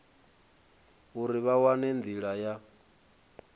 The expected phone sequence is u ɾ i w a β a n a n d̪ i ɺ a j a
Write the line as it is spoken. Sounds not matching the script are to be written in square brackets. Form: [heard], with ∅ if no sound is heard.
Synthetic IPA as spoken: u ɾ i [β] a [w] a n [ɛ] n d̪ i ɺ a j a